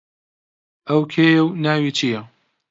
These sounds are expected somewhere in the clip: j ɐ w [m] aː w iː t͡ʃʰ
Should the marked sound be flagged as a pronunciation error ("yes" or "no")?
yes